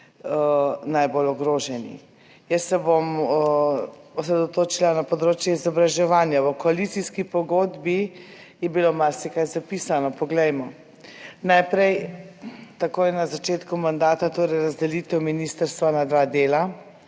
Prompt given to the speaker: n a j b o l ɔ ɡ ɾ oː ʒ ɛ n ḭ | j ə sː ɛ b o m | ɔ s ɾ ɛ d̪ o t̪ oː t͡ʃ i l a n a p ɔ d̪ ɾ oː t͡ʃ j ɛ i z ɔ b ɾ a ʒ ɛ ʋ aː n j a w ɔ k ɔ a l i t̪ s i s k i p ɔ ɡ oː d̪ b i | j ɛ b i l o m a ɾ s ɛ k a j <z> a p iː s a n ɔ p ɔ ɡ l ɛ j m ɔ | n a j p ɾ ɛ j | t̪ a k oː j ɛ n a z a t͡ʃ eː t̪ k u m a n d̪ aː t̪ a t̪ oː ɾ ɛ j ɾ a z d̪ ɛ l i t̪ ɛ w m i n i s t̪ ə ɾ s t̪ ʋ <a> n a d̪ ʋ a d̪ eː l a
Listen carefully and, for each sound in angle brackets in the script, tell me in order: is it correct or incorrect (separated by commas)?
correct, correct